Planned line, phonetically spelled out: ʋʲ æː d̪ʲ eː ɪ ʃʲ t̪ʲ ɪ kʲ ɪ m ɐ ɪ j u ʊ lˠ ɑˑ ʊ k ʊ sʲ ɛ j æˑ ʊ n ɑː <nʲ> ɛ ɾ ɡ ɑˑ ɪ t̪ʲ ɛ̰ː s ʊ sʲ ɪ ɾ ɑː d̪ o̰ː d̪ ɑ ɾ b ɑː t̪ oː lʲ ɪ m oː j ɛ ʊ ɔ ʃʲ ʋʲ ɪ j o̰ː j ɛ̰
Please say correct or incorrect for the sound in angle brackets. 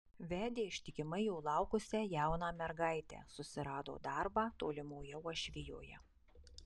incorrect